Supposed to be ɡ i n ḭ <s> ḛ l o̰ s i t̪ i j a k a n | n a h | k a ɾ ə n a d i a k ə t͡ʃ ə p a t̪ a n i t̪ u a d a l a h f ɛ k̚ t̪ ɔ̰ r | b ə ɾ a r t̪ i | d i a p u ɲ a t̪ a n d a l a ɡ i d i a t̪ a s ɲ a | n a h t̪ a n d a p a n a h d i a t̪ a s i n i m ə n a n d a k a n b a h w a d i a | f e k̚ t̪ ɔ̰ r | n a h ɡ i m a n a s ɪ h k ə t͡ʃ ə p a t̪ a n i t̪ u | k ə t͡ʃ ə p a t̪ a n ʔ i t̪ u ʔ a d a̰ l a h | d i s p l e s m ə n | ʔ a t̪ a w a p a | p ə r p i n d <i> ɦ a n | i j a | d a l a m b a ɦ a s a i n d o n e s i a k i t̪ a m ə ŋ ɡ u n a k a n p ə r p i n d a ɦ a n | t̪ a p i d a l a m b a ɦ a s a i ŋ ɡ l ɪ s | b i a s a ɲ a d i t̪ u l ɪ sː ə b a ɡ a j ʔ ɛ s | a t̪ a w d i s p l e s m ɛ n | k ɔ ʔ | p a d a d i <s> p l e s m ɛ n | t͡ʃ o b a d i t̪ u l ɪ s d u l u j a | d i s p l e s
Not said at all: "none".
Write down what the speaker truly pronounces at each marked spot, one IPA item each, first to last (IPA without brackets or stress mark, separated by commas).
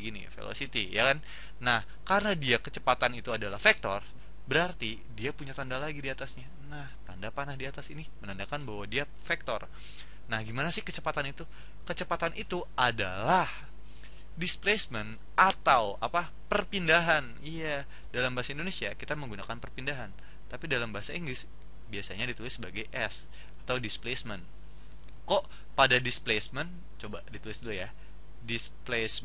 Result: f, a, s